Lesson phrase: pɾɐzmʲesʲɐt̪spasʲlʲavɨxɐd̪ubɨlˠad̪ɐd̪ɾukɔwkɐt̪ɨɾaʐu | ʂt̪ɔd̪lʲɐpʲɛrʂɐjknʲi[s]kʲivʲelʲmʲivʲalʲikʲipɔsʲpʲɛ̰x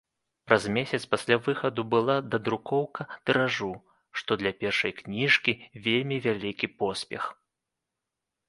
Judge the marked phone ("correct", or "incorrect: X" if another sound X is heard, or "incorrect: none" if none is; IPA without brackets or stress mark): incorrect: ʂ